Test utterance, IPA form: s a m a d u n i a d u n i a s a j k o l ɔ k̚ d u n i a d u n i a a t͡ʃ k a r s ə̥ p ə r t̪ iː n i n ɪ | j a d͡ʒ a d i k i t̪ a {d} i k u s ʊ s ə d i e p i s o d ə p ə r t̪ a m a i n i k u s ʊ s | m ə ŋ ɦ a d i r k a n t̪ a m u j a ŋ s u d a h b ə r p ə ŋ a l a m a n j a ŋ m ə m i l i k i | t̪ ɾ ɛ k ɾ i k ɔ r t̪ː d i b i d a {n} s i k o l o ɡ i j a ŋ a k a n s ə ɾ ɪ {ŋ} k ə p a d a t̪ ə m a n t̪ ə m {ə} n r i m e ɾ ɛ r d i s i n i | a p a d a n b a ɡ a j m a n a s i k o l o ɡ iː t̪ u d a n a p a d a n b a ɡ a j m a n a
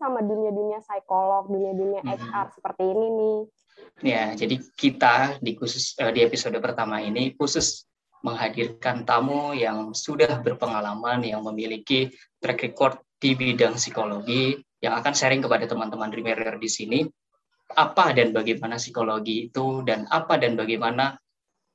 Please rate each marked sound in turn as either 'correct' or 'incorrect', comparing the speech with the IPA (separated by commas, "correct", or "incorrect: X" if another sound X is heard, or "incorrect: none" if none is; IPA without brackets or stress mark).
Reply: correct, incorrect: ŋ, correct, incorrect: a